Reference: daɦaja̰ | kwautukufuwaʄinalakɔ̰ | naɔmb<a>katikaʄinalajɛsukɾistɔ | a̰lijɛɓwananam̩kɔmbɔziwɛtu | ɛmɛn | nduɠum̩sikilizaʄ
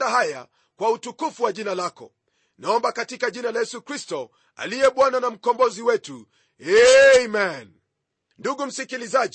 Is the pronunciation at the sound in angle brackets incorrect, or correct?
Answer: correct